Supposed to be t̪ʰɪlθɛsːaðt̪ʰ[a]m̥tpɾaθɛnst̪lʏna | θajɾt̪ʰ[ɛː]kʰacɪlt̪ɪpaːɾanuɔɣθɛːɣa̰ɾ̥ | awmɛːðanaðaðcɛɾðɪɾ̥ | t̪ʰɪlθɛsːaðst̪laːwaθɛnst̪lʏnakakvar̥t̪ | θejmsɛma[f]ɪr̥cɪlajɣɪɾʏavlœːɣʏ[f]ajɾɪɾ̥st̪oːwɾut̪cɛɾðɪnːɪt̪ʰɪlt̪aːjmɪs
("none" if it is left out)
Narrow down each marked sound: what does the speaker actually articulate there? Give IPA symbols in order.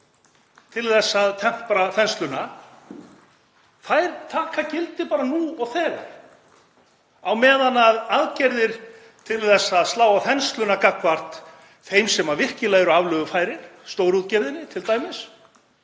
ɛ, aː, v, f

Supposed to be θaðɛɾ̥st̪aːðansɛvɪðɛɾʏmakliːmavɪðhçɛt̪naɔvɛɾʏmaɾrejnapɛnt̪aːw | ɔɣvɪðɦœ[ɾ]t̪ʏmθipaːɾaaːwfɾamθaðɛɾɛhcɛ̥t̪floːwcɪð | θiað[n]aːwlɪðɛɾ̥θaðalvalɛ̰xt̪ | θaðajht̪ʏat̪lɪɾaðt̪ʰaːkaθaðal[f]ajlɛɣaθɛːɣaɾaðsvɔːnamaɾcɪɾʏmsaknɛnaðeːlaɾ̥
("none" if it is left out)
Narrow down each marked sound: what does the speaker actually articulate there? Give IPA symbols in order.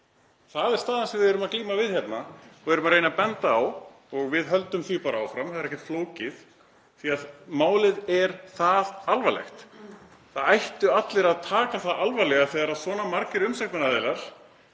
l, m, v

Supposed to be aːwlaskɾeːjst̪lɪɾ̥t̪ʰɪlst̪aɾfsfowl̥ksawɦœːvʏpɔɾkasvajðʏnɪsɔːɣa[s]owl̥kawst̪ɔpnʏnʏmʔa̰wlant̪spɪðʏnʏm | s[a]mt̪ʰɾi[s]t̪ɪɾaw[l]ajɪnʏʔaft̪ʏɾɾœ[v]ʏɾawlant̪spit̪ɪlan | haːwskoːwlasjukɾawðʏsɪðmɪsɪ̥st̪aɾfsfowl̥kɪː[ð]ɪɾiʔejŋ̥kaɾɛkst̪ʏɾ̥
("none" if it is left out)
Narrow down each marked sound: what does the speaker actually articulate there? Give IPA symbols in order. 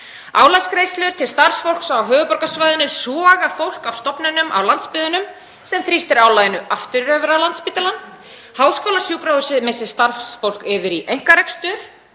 f, ɛ, s, l, v, v

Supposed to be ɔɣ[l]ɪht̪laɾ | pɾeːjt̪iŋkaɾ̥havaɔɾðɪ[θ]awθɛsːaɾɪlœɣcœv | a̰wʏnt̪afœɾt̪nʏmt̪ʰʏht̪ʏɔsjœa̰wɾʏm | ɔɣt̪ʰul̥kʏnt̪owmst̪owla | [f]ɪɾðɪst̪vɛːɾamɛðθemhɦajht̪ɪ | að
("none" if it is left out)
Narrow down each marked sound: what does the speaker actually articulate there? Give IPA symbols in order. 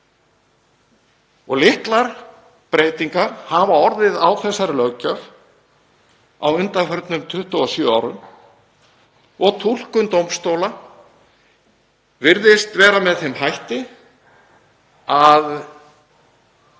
l, ð, v

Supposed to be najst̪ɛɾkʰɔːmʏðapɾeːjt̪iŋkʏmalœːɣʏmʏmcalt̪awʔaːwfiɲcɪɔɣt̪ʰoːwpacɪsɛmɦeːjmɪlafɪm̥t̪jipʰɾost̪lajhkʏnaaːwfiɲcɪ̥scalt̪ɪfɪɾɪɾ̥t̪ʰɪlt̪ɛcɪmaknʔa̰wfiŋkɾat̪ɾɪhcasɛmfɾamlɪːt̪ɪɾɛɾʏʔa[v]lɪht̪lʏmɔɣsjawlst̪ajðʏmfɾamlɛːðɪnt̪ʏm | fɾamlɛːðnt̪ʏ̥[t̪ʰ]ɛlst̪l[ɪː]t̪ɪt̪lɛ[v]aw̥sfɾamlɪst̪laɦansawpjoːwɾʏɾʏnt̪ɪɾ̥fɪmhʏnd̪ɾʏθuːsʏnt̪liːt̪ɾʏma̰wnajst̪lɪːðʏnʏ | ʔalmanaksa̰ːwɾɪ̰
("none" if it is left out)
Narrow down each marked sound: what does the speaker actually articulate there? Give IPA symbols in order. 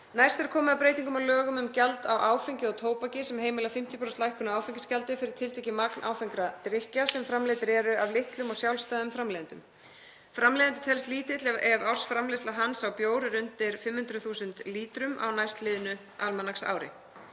v, t̪ʰ, iː, v

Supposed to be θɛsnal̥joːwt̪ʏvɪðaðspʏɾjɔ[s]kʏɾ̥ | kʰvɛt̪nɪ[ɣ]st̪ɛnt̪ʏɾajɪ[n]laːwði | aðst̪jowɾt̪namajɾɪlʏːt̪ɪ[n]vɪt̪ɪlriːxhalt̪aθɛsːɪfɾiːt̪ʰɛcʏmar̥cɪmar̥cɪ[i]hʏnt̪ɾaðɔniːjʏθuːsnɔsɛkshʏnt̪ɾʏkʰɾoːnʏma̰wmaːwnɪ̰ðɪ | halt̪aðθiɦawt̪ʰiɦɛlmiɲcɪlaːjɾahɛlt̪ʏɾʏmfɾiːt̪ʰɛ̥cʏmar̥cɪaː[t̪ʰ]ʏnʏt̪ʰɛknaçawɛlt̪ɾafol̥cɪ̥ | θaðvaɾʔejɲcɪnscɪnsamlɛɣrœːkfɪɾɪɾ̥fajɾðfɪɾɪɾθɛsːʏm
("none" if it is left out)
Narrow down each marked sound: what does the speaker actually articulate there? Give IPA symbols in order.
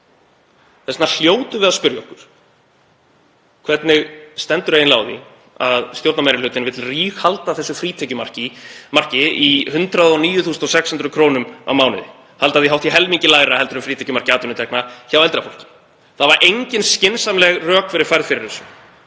h, ɣ, n, n, i, t̪

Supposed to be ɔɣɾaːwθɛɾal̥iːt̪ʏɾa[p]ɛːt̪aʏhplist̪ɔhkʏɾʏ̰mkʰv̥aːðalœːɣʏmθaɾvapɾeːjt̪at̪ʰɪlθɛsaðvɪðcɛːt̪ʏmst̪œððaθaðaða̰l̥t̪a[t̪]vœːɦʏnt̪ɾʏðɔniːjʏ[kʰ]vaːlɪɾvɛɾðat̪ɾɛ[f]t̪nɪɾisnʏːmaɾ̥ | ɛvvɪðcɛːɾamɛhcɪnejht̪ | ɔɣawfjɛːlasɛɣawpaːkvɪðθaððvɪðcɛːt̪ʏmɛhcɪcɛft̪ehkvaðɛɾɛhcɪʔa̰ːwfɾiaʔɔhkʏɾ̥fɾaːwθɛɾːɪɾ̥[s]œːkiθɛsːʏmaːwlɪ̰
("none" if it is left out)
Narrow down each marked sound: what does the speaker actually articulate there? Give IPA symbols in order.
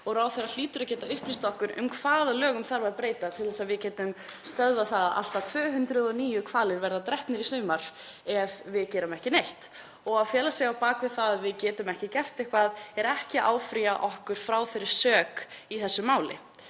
c, t̪ʰ, kʰ, h, s

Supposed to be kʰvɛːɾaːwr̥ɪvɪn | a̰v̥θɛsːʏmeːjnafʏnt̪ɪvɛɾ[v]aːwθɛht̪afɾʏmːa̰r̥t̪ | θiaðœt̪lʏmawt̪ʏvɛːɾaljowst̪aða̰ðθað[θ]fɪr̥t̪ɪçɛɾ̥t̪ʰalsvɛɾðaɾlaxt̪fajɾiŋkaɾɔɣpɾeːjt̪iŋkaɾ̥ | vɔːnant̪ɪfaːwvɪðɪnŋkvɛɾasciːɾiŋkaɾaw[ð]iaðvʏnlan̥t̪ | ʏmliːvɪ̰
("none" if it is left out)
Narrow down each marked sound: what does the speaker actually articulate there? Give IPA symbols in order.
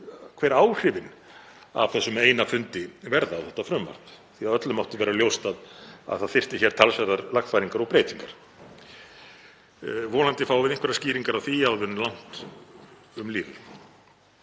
ð, θ, θ

